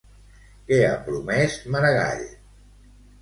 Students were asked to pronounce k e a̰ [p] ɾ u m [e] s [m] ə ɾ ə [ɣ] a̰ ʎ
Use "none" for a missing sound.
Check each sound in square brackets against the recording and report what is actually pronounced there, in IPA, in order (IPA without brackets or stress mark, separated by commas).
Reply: p, ɛ, m, ɣ